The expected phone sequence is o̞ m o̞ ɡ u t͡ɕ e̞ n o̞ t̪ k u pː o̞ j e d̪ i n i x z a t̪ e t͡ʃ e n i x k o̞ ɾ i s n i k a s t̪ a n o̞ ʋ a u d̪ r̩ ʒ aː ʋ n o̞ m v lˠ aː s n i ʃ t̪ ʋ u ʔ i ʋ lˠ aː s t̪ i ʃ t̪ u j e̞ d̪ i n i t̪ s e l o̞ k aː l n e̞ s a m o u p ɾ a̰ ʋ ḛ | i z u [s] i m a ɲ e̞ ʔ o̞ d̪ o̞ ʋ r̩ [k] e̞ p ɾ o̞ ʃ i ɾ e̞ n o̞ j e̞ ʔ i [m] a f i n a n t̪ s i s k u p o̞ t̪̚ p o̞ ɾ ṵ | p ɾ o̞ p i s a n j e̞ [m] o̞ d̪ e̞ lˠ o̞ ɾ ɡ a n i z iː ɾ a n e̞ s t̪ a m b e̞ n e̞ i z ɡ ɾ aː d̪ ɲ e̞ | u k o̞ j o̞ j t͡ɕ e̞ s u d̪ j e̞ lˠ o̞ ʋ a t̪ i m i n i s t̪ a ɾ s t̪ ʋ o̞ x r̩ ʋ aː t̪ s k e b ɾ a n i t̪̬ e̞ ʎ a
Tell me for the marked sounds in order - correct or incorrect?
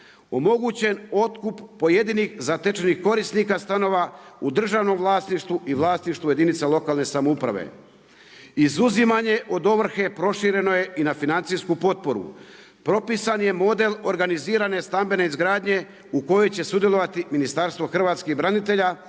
incorrect: z, incorrect: x, incorrect: n, correct

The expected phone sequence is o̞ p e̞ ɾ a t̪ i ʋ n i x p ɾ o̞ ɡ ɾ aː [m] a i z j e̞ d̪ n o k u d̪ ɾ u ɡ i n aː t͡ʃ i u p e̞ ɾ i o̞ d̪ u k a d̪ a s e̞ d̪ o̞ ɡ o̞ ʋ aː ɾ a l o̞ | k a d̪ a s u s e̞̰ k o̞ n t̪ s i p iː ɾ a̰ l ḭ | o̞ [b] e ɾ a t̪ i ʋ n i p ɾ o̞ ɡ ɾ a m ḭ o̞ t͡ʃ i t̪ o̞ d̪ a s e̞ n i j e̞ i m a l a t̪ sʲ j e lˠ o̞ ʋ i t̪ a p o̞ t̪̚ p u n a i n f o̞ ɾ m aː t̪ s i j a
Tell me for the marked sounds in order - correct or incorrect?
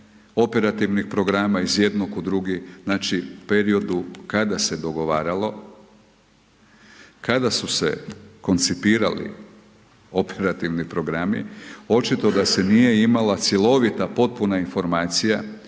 correct, incorrect: p

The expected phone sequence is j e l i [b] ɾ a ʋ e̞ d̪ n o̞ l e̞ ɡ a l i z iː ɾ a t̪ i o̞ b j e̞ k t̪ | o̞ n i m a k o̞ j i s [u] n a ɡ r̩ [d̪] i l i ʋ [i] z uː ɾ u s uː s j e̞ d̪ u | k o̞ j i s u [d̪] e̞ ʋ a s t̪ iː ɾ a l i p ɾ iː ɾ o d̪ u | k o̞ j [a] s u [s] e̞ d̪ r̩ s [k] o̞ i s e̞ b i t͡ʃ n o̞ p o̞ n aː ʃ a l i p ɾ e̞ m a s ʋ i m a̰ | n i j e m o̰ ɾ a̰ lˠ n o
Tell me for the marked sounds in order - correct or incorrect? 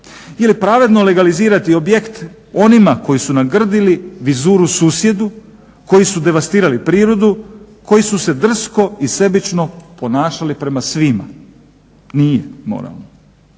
incorrect: p, correct, correct, correct, correct, incorrect: i, correct, correct

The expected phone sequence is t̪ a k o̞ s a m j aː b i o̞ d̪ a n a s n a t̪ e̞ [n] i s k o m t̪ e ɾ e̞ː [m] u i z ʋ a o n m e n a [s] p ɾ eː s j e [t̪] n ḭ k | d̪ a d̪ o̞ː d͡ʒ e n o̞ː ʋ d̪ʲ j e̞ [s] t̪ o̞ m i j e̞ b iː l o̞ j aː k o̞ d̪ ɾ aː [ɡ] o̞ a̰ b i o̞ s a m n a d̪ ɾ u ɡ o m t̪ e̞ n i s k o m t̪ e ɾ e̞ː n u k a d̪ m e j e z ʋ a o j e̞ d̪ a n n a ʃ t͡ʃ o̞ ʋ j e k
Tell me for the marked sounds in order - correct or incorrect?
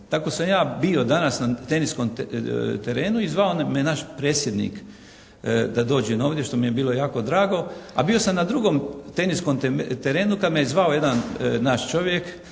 correct, incorrect: n, incorrect: ʃ, incorrect: d̪, incorrect: ʃ, correct

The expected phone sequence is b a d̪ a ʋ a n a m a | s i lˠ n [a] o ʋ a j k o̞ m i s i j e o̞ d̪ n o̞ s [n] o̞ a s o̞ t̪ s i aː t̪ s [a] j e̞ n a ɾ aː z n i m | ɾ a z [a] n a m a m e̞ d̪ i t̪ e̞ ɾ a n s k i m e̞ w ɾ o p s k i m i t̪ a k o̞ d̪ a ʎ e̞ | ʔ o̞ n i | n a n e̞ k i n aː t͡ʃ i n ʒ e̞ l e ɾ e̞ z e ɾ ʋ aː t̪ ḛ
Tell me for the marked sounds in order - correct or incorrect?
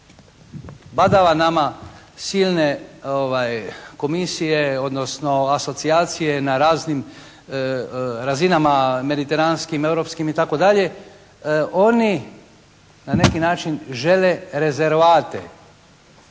incorrect: e, correct, incorrect: i, incorrect: i

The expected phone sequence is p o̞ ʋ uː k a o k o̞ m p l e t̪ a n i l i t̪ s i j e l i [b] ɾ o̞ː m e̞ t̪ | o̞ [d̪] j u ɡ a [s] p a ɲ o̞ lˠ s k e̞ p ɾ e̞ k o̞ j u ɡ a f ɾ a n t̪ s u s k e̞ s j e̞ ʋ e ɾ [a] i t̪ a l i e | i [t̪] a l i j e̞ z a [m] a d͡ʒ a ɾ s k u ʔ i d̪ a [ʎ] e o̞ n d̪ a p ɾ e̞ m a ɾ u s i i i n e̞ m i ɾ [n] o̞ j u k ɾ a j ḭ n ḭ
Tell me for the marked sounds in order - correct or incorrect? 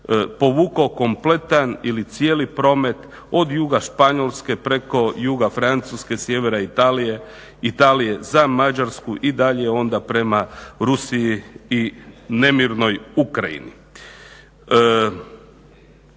incorrect: p, correct, incorrect: ʃ, correct, correct, correct, correct, correct

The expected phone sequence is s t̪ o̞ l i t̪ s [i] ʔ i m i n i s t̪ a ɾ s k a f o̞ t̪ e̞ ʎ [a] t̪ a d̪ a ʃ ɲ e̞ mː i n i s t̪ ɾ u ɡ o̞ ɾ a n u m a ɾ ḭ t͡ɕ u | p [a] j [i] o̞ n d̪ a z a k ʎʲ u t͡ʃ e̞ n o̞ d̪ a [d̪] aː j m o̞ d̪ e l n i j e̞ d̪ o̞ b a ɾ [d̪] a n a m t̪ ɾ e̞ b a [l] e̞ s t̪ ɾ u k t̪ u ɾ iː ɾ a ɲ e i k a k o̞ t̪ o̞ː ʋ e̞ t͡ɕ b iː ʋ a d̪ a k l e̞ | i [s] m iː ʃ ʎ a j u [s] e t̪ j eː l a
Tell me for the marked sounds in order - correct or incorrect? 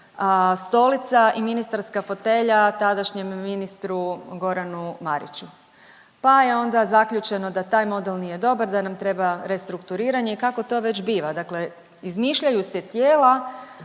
incorrect: a, correct, correct, incorrect: e, incorrect: t̪, correct, incorrect: ɾ, incorrect: z, correct

